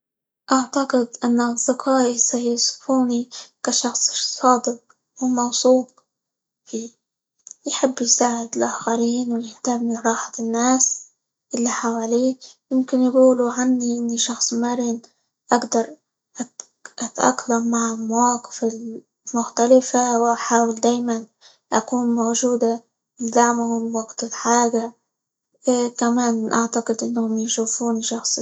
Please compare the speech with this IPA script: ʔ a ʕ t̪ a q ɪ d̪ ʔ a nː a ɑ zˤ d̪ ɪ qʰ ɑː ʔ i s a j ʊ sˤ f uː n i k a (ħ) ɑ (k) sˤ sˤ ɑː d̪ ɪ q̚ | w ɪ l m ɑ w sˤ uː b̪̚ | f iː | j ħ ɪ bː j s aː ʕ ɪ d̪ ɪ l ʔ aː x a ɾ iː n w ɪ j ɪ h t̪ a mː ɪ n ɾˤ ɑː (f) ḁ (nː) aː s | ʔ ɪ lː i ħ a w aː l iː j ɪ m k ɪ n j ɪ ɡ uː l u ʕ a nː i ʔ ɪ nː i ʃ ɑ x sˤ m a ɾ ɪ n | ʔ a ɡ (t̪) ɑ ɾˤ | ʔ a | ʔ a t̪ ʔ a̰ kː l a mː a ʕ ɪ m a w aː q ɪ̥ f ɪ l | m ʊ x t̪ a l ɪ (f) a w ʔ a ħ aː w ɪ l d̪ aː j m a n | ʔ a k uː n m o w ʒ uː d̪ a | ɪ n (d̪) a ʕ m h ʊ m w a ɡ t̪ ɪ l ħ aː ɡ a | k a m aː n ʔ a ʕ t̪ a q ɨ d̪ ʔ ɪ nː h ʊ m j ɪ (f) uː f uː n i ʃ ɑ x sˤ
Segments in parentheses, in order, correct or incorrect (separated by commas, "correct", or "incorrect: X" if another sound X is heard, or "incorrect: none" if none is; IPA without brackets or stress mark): incorrect: ʃ, incorrect: x, incorrect: ħ, correct, incorrect: d̪, correct, correct, incorrect: ʃ